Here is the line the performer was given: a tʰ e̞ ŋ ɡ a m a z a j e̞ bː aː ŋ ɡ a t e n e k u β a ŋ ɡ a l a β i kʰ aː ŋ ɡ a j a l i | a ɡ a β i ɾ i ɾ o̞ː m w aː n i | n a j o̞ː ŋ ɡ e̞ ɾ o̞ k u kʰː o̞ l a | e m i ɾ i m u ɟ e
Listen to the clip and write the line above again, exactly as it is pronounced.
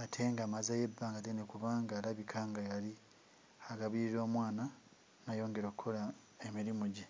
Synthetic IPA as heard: a tʰ e̞ ŋ ɡ a m a z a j e̞ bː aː ŋ ɡ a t e n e k u β a ŋ ɡ a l a β i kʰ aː ŋ ɡ a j a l i | a ɡ a β i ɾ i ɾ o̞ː m w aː n a | n a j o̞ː ŋ ɡ e̞ ɾ o̞ k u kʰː o̞ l a | e m i ɾ i m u ɟ e